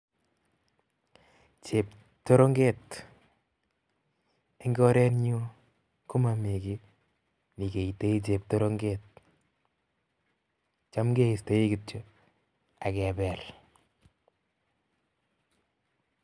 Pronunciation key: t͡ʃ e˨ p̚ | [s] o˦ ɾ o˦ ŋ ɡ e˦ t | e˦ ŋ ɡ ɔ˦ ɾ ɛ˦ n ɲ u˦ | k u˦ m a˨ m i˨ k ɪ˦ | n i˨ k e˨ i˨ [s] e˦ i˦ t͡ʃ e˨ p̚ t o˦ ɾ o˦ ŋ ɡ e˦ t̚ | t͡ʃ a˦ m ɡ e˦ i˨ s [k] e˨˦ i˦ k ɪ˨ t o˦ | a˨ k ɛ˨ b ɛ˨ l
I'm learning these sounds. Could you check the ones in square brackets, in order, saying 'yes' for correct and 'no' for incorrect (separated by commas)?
no, no, no